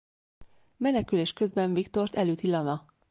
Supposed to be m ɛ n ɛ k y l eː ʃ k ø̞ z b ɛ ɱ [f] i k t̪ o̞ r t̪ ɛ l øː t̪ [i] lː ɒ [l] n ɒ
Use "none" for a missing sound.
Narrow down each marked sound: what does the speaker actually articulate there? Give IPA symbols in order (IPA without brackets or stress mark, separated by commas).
v, i, none